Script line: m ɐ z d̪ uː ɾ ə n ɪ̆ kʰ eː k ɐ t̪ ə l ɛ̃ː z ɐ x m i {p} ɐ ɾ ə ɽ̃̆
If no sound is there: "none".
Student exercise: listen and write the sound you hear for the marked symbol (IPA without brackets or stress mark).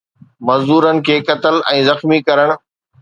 k